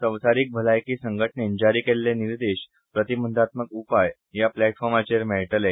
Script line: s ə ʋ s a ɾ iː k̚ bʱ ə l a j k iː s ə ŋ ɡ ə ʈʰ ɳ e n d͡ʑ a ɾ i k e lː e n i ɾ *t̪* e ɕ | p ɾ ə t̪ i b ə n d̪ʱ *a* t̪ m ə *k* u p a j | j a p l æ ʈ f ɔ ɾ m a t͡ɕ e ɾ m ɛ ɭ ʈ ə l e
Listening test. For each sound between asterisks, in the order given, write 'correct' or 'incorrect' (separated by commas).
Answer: incorrect, correct, correct